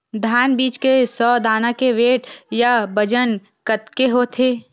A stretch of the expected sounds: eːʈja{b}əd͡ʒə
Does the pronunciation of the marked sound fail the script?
no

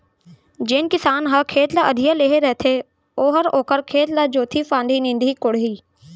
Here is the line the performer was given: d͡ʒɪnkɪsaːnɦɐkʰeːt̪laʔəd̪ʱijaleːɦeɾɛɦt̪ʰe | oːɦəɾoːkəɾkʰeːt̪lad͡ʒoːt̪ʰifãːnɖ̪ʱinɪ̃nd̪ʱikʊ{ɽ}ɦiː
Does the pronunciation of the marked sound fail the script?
no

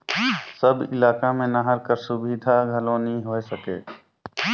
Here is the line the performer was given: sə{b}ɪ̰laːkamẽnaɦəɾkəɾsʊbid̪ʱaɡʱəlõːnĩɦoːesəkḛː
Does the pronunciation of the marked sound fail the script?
no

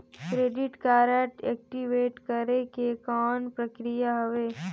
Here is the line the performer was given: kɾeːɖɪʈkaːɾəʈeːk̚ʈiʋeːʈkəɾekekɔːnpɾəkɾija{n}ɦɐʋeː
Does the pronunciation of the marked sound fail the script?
yes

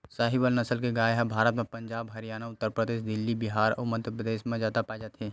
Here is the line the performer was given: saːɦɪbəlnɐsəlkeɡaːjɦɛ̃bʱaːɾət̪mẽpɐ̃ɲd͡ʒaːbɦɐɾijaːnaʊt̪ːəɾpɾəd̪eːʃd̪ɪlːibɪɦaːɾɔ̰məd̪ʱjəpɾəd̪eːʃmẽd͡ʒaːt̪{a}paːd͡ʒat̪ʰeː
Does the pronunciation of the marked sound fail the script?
no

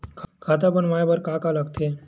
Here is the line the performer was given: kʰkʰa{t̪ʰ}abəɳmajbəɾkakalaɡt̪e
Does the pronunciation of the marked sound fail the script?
yes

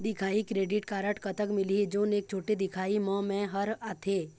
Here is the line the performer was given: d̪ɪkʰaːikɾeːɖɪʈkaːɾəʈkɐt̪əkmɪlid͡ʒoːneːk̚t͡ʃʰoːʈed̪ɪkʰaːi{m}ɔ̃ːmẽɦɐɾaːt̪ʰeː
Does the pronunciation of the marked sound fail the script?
no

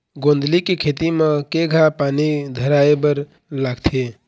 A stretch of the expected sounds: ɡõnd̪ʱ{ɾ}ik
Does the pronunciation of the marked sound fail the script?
yes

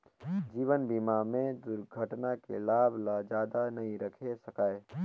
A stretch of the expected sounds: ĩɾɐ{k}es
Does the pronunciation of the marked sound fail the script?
yes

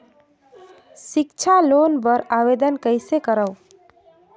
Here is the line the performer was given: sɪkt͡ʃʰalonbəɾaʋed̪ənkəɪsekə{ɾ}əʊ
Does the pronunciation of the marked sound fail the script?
no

